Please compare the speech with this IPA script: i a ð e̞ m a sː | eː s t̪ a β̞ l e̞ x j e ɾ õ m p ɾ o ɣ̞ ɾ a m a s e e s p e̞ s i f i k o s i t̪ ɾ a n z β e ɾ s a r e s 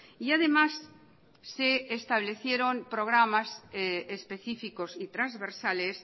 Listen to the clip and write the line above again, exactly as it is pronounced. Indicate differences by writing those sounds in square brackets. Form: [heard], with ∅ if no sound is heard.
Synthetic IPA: i a ð e̞ m a sː | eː s t̪ a β̞ l e̞ [θ] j e ɾ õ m p ɾ o ɣ̞ ɾ a m a s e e s p e̞ [θ] i f i k o s i t̪ ɾ a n z β e ɾ s a [l] e s